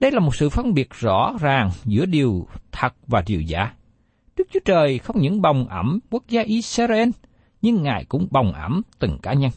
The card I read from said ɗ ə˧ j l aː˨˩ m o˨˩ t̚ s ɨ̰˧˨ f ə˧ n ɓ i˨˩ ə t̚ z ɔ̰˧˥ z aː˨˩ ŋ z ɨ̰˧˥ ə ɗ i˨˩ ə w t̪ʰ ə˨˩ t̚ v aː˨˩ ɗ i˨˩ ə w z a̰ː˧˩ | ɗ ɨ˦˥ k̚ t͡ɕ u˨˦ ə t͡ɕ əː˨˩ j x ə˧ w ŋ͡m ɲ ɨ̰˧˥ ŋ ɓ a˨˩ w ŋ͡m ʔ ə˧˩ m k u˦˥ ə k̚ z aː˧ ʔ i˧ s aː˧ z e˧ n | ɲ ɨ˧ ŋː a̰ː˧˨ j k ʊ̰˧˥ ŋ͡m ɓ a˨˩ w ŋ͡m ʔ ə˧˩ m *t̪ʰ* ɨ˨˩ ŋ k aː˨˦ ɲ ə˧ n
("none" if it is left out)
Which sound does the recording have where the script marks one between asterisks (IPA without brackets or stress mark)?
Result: t̪